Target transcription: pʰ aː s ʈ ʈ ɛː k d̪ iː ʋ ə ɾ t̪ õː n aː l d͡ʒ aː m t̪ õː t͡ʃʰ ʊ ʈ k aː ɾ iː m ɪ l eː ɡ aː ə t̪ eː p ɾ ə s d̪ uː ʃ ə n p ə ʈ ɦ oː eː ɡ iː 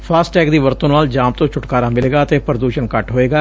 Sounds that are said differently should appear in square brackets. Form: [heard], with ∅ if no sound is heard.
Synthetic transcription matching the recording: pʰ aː s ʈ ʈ ɛː k d̪ iː ʋ ə ɾ t̪ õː n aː l d͡ʒ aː m t̪ õː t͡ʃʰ ʊ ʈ k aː ɾ [aː] m ɪ l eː ɡ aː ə t̪ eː p ɾ ə [∅] d̪ uː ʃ ə n [k] ə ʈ ɦ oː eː ɡ [aː]